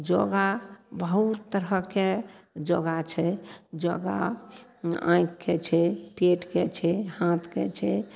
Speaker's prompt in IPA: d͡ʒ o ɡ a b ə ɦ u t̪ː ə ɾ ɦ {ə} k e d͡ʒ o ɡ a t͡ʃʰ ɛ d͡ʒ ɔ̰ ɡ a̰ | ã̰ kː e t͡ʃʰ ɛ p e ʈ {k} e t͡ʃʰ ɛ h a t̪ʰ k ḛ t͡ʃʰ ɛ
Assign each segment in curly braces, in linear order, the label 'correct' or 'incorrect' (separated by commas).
correct, correct